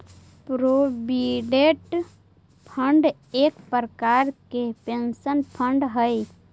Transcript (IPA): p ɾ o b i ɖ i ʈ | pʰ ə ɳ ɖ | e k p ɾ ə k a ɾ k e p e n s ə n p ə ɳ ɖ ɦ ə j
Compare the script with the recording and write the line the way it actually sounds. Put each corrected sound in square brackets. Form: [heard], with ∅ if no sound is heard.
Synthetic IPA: p ɾ o b i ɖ [e] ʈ | pʰ ə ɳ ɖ | e k p ɾ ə k a ɾ k e p e n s ə n [pʰ] ə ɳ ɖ ɦ ə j

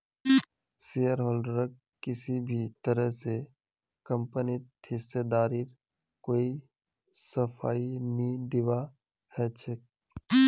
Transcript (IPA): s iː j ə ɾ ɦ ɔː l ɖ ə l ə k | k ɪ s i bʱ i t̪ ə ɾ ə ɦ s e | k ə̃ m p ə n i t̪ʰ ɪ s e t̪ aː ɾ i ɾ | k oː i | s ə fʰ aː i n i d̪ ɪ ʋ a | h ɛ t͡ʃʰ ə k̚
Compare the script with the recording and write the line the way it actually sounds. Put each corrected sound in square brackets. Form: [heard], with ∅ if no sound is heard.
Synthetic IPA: s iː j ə ɾ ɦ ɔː l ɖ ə [ɾ] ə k | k ɪ s i bʱ i t̪ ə ɾ ə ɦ s e | k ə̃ m p ə n i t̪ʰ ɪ s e [d̪] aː ɾ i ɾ | k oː i | s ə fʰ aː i n i d̪ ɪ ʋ a | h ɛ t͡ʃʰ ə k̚

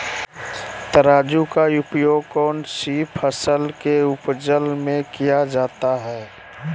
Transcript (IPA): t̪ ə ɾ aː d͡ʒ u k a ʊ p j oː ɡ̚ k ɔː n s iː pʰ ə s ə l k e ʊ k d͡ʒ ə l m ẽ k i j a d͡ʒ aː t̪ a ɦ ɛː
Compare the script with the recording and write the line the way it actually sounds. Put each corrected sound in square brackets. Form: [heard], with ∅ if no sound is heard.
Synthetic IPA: t̪ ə ɾ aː d͡ʒ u k a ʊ p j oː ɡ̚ k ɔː n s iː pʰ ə s ə l k e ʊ [p] d͡ʒ ə l m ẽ k i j a d͡ʒ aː t̪ a ɦ ɛː

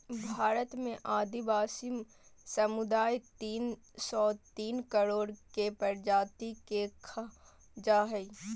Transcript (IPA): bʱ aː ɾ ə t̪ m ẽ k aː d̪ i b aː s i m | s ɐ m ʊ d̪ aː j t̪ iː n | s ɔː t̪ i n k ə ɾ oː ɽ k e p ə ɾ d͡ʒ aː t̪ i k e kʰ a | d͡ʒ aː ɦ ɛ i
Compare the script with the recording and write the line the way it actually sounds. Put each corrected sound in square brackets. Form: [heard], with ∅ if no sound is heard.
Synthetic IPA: bʱ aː ɾ ə t̪ m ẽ [ʔ] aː d̪ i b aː s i m | s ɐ m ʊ d̪ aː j t̪ iː n | s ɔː t̪ [iː] n k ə ɾ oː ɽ k e p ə ɾ d͡ʒ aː t̪ i k e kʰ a | d͡ʒ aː ɦ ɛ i

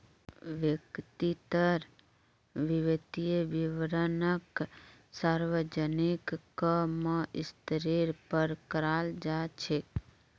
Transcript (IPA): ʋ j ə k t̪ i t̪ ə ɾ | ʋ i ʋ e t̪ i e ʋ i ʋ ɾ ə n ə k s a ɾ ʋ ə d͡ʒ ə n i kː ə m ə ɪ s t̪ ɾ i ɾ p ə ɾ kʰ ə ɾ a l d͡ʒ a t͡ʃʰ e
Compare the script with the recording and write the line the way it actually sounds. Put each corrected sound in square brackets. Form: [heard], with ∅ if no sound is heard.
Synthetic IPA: ʋ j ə k t̪ i t̪ ə ɾ | ʋ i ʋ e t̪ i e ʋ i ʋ ɾ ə n ə k s a ɾ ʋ ə d͡ʒ ə n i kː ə m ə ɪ s t̪ ɾ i ɾ p ə ɾ [k] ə ɾ a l d͡ʒ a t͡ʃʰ e

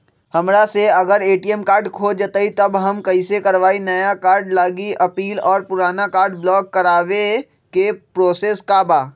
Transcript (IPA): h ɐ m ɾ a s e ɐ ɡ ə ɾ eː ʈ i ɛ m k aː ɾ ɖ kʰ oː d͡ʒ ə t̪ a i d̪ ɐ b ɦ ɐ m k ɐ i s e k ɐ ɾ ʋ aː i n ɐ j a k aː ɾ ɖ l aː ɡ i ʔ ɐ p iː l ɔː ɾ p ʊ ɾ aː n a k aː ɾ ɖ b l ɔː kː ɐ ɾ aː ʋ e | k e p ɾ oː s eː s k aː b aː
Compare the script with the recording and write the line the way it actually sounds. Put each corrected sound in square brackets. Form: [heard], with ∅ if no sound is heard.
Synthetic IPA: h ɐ m ɾ a s e ɐ ɡ ə ɾ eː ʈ i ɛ m k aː ɾ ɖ kʰ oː d͡ʒ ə t̪ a i [t̪] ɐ b ɦ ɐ m k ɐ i s e k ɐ ɾ ʋ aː i n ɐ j a k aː ɾ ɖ l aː ɡ i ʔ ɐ p iː l ɔː ɾ p ʊ ɾ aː n a k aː ɾ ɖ b l ɔː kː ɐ ɾ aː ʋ e | k e p ɾ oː s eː s k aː b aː

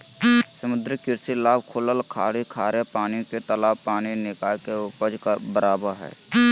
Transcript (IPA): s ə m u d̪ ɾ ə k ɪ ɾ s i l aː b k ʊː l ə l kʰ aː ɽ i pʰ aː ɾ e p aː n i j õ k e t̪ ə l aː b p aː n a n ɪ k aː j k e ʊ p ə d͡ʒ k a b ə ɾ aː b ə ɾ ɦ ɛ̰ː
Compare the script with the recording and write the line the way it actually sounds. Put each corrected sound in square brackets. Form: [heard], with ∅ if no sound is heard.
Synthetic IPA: s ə m [ʊ] d̪ ɾ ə k ɪ ɾ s i l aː b [kʰ] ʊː l ə l kʰ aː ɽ i [kʰ] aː ɾ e p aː n i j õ k e t̪ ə l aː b p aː n [i] n ɪ k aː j k e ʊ p ə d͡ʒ k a b ə ɾ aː b ə ɾ ɦ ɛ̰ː

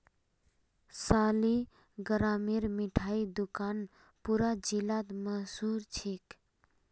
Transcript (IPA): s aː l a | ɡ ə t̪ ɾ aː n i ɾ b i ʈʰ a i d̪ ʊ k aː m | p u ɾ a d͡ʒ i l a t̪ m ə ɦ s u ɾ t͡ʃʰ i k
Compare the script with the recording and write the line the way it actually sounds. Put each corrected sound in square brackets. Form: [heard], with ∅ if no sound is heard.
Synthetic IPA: s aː l [i] | ɡ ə [∅] ɾ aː [m] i ɾ [m] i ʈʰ a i d̪ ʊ k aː [n] | p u ɾ a d͡ʒ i l a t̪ m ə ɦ s u ɾ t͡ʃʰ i k

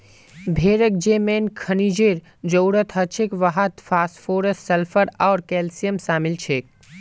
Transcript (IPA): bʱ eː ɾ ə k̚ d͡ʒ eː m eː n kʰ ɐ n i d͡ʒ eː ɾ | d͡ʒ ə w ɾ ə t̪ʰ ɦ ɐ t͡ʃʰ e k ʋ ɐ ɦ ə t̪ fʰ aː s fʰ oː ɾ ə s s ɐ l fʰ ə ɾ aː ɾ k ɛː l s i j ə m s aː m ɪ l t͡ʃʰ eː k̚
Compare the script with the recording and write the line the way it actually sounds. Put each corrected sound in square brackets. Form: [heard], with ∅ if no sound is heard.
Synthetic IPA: bʱ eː ɾ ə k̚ d͡ʒ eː m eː n kʰ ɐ n i d͡ʒ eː ɾ | d͡ʒ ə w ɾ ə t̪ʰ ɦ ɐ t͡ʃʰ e k ʋ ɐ ɦ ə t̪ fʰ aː s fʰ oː ɾ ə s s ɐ l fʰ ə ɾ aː ɾ k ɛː l s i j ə m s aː m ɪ l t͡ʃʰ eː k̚

